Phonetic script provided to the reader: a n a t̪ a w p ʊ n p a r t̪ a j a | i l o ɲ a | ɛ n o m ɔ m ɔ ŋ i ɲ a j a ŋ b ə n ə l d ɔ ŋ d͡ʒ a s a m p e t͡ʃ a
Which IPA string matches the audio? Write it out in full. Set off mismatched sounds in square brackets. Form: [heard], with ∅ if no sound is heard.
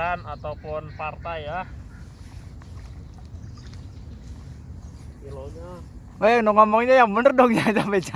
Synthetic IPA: a n a t̪ a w p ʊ n p a r t̪ a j a | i l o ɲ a | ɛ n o [ŋ] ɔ m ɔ ŋ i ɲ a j a ŋ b ə n ə [r] d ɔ ŋ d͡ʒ a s a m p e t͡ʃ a